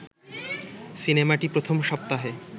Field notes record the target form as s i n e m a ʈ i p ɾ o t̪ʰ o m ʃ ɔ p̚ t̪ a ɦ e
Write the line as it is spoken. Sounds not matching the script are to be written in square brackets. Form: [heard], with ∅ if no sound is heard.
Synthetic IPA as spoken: s i n e m a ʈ i p ɾ o t̪ʰ o m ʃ ɔ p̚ t̪ a ɦ e